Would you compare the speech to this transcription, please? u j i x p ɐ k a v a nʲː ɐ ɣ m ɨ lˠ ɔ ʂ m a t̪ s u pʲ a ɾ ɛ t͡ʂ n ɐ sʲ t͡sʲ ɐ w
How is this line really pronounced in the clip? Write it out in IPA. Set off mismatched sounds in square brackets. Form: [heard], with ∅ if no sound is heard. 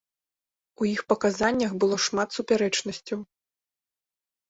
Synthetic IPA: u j i x p ɐ k a [z] a nʲː ɐ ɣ [b] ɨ lˠ ɔ ʂ m a t̪ s u pʲ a ɾ ɛ t͡ʂ n ɐ sʲ t͡sʲ ɐ w